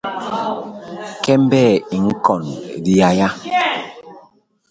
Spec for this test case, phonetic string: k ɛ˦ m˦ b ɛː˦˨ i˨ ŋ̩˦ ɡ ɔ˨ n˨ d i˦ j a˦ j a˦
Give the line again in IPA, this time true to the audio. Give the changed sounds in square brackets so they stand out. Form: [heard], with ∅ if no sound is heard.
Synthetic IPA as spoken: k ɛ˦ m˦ b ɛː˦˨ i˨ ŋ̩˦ [k] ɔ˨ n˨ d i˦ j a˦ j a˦

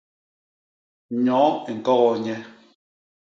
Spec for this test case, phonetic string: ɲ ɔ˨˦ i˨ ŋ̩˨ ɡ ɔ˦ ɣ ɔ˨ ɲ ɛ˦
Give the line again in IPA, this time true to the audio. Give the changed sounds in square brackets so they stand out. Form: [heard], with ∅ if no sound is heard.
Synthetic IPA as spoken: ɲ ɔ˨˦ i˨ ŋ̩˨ [k] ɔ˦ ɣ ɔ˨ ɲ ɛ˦

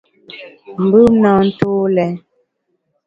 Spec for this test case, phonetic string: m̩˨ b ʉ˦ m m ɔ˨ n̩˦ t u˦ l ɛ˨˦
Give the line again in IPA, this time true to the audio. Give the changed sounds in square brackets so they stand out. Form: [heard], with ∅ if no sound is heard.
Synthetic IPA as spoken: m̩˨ b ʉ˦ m [n] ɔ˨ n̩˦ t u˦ l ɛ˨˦

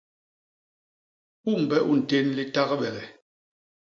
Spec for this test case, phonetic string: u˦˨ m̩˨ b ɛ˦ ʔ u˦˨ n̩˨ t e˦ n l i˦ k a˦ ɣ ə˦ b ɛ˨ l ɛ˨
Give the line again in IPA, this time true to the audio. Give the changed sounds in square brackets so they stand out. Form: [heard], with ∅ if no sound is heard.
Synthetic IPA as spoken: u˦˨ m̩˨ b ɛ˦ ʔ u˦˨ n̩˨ t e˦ n l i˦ [t] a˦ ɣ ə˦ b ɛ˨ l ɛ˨

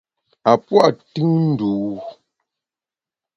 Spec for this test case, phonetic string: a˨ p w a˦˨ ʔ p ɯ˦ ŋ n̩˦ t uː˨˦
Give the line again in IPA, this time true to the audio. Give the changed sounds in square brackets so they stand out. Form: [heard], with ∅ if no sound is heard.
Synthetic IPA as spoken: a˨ p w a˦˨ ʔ [t] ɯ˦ ŋ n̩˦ [d] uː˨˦

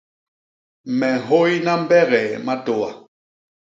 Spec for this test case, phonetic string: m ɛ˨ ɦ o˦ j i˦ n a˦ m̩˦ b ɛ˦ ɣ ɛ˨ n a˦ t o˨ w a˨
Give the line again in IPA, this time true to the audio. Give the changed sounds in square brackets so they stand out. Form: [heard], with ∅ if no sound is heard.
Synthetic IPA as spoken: m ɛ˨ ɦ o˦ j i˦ n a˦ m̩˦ b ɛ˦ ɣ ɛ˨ [m] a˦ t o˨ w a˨

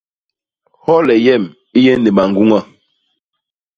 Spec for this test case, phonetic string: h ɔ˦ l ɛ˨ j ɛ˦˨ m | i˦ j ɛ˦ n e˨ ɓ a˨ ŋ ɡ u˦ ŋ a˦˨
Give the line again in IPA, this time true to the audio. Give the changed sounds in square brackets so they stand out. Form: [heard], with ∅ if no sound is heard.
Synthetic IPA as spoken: h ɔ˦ l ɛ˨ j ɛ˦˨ m | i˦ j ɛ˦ n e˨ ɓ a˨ ŋ ɡ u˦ ŋ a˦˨

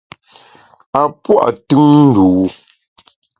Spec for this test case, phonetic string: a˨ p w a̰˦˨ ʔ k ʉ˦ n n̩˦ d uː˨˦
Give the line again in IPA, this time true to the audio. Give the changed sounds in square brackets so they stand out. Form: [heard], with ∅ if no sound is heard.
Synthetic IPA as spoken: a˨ p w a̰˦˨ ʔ [t] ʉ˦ [ŋ] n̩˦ d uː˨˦

